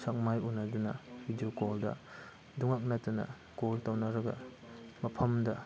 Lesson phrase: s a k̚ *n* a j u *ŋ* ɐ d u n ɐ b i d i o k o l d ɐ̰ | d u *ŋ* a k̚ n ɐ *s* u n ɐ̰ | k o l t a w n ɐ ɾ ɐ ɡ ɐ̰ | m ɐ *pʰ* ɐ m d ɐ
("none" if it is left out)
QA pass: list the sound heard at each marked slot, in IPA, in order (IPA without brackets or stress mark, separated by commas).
m, n, ŋ, t, pʰ